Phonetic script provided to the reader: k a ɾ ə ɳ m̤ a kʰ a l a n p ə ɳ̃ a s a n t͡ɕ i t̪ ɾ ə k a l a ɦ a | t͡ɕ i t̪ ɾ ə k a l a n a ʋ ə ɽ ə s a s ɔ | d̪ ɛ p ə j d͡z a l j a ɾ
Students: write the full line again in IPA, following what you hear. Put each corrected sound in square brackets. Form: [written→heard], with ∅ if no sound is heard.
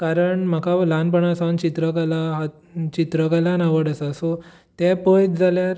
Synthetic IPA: k a ɾ ə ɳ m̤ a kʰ a l a n p ə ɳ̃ a s a n t͡ɕ i t̪ ɾ ə k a l a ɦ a | t͡ɕ i t̪ ɾ ə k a l a n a ʋ ə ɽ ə s a s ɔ | [d̪→t̪] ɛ p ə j d͡z a l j a ɾ

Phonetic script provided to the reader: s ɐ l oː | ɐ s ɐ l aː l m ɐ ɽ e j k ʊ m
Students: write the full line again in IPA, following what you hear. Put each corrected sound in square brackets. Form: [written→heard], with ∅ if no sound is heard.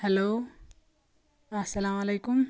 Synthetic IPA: [s→h] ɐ l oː | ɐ s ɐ l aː [l→∅] m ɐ [ɽ→l] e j k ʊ m

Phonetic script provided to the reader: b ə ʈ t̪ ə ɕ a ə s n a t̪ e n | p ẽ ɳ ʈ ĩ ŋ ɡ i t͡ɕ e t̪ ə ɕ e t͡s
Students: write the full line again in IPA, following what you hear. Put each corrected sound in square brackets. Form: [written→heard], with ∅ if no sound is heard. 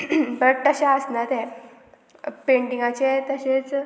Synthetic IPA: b ə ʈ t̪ ə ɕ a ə s n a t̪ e [n→∅] | p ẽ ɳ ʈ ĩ ŋ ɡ [i→a] t͡ɕ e t̪ ə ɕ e t͡s

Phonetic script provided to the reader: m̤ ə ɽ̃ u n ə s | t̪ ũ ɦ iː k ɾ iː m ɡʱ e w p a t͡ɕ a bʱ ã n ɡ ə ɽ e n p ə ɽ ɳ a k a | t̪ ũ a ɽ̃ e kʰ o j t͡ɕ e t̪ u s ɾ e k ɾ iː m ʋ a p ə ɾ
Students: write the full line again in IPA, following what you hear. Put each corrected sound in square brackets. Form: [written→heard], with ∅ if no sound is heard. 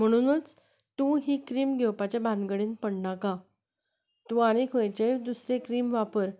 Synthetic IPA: m̤ ə ɽ̃ u n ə [s→t͡s] | t̪ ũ ɦ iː k ɾ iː m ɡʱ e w p a t͡ɕ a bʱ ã n ɡ ə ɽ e n p ə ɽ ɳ a k a | t̪ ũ a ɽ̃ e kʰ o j t͡ɕ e [t̪→d̪] u s ɾ e k ɾ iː m ʋ a p ə ɾ

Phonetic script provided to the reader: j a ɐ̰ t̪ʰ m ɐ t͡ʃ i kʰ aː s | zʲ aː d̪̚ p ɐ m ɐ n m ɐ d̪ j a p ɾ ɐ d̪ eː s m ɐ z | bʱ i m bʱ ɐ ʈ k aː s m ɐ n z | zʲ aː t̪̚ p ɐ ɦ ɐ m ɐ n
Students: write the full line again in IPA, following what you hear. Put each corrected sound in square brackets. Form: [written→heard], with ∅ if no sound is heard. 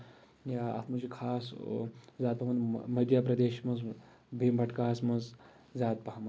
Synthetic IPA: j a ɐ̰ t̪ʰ m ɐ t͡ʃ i kʰ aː s | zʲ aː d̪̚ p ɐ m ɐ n m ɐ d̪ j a p ɾ ɐ d̪ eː [s→ʃ] m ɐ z | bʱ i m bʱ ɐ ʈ k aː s m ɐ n z | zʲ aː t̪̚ p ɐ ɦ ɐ m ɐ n

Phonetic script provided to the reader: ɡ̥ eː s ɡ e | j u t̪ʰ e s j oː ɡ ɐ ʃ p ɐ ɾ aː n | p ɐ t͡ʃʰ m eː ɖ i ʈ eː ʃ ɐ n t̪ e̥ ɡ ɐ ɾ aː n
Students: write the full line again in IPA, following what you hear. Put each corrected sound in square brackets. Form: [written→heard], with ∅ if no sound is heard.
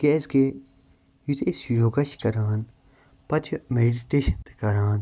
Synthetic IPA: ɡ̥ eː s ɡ e | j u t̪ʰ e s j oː ɡ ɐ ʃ [p→k] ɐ ɾ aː n | p ɐ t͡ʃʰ m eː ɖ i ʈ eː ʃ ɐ n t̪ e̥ [ɡ→k] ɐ ɾ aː n

